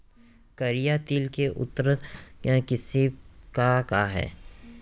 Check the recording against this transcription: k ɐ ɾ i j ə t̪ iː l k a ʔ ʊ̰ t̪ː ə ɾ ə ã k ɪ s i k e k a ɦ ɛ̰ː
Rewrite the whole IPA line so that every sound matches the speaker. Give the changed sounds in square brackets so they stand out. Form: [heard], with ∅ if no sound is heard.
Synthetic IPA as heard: k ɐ ɾ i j [a] t̪ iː l k [e] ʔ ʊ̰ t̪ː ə ɾ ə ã k ɪ s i k [a] k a ɦ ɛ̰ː